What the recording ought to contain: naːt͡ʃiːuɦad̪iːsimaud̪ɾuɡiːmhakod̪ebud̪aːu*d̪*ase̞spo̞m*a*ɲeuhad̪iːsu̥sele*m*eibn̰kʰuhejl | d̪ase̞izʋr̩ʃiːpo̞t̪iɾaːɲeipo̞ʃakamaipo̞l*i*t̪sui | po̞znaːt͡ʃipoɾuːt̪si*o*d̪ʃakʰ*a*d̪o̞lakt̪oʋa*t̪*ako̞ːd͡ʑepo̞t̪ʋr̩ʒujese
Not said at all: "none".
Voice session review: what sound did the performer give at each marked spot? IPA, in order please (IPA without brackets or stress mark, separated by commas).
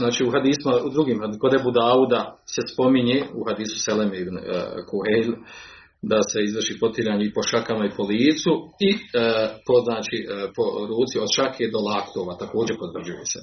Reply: d̪, i, m, iː, o, e, t̪